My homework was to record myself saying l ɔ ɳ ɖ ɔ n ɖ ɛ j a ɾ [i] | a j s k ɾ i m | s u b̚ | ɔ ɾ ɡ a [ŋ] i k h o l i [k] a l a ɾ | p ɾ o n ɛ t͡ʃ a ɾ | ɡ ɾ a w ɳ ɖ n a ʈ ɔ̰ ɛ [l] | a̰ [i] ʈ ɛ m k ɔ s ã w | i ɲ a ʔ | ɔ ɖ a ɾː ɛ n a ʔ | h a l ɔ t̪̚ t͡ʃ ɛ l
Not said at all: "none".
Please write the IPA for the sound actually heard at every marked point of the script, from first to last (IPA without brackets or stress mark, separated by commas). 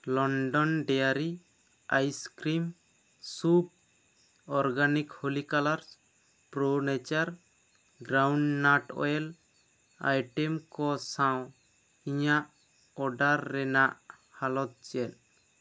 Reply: i, n, k, l, j